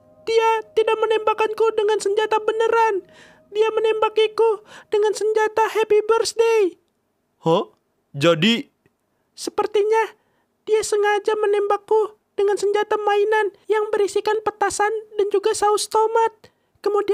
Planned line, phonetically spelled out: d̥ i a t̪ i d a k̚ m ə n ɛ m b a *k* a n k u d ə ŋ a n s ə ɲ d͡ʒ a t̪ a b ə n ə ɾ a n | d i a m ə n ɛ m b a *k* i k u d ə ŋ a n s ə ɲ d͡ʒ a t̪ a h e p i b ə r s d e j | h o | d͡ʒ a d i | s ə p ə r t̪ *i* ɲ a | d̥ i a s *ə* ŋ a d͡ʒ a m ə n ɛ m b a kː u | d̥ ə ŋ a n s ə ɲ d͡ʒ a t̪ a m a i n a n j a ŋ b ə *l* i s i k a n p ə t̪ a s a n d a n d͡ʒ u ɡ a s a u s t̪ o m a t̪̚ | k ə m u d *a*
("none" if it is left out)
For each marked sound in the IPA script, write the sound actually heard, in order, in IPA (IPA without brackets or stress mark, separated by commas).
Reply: k, k, i, ə, ɾ, i